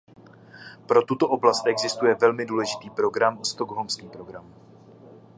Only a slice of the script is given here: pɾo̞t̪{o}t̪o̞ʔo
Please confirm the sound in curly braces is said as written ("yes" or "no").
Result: no